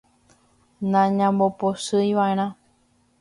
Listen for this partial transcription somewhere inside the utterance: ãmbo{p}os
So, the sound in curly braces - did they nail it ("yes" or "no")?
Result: yes